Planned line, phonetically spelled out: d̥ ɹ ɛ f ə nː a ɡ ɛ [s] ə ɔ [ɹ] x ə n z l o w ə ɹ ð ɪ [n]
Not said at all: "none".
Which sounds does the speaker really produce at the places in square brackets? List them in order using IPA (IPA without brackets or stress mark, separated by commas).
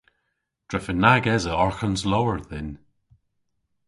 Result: z, ɹ, n